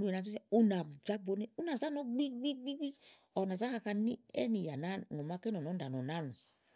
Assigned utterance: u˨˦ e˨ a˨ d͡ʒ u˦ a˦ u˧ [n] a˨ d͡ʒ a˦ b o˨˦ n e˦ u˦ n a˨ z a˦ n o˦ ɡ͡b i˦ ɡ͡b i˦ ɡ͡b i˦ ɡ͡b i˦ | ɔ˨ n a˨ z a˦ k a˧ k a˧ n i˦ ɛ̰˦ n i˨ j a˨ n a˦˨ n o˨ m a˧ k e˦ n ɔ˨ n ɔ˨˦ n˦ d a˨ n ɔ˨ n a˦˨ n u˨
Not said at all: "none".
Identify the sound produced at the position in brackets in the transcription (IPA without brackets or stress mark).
n